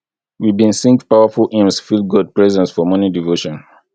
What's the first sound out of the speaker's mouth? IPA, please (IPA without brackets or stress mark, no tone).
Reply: w